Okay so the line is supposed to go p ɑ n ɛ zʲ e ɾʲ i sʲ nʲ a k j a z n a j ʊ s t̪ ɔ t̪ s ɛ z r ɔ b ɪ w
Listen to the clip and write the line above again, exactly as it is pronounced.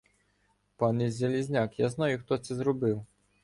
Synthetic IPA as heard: p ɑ n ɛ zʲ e lʲ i zʲ nʲ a k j a z n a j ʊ x t̪ ɔ t̪ s ɛ z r ɔ b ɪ w